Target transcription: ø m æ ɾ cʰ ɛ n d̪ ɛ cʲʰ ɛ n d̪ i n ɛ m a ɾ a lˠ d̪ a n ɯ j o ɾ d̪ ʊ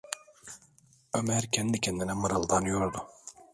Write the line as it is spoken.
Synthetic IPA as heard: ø m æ ɾ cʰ ɛ n d̪ i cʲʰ ɛ n d̪ i n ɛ m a ɾ a lˠ d̪ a n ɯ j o ɾ d̪ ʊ